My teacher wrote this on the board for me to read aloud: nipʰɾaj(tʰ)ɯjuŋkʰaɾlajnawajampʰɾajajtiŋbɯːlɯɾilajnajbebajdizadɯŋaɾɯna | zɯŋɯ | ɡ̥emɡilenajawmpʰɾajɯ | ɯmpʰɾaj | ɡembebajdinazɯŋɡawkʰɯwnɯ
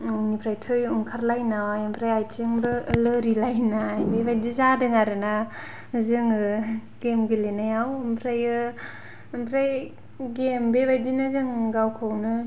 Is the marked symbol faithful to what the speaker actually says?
yes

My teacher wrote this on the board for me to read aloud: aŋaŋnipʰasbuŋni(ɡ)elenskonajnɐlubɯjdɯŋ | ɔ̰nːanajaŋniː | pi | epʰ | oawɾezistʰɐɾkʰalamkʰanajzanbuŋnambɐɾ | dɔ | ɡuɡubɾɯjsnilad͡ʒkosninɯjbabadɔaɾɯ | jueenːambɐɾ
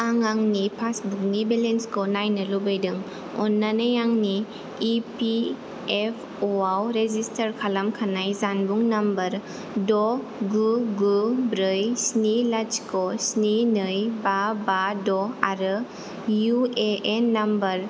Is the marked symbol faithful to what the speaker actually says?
no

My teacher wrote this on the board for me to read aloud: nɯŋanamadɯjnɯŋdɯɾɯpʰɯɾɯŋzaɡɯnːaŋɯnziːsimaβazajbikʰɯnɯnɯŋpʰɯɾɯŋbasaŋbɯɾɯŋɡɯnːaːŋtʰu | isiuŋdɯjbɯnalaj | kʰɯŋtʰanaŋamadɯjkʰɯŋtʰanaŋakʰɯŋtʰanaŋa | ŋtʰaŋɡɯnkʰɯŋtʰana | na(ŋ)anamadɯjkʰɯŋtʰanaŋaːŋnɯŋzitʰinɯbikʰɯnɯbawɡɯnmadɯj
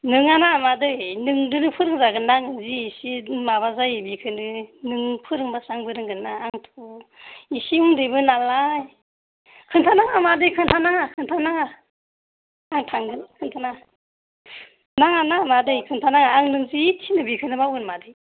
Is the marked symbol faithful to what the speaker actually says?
yes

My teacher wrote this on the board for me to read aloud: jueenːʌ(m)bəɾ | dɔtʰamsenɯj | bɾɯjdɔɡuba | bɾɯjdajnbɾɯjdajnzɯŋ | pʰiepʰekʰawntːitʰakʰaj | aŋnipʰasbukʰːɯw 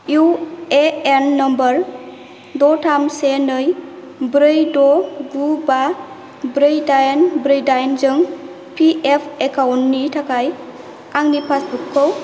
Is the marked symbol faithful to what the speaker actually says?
yes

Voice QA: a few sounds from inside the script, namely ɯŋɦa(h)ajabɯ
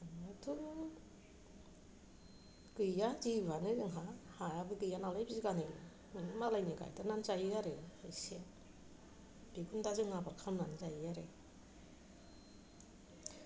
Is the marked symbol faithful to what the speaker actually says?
yes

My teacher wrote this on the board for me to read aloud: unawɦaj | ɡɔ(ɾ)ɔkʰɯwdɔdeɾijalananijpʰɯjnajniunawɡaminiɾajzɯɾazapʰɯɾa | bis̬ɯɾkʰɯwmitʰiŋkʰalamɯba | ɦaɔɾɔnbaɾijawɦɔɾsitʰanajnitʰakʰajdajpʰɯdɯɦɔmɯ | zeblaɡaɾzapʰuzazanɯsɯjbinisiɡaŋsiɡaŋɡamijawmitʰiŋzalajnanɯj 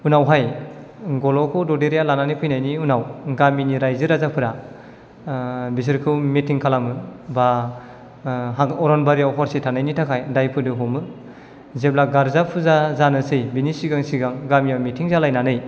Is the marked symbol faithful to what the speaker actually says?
no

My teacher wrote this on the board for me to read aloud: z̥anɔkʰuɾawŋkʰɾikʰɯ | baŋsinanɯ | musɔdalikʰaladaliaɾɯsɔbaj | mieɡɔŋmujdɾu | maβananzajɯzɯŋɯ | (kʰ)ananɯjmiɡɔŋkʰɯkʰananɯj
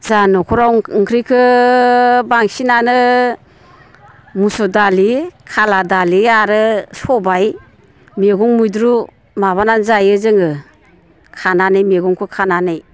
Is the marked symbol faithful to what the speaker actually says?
yes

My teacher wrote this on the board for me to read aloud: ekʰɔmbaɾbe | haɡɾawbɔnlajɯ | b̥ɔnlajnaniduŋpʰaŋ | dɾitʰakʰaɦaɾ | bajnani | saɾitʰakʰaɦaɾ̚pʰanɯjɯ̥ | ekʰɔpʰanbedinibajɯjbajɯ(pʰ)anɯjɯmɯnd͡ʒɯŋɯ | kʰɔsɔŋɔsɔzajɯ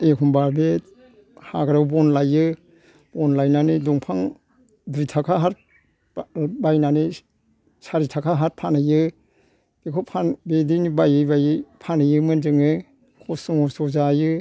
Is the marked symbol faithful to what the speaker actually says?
yes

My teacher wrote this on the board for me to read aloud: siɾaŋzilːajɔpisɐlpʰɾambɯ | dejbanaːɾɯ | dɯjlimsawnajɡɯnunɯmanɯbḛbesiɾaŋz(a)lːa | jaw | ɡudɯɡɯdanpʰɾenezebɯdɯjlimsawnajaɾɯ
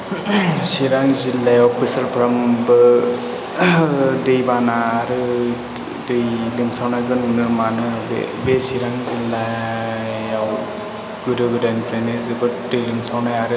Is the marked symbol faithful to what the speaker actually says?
no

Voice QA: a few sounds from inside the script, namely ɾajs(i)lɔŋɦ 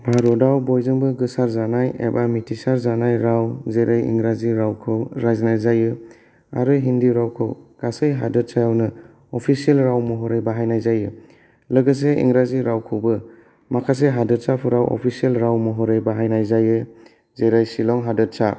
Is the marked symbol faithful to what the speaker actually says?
yes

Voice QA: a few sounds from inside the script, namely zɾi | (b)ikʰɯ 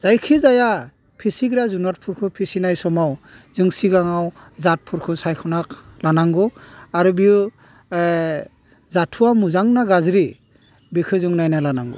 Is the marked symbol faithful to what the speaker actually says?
yes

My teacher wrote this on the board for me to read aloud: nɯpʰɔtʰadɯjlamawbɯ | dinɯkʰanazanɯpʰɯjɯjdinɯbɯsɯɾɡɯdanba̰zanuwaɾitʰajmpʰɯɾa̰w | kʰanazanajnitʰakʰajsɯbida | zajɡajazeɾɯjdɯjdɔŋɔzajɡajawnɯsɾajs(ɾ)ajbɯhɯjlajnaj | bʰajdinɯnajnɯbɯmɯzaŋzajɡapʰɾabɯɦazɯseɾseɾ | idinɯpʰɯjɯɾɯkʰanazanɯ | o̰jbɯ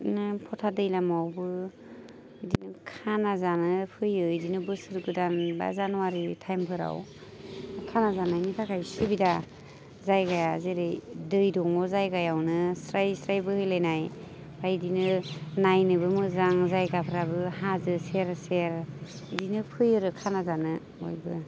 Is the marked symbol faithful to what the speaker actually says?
yes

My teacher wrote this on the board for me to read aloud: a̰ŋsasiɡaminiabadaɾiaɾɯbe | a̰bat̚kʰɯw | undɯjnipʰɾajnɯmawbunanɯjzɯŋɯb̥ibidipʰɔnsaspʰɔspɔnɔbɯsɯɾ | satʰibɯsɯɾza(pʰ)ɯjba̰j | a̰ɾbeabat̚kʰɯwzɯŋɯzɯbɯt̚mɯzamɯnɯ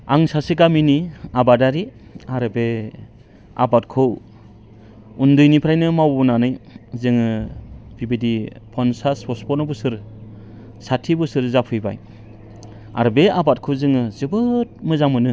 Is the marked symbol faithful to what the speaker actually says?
yes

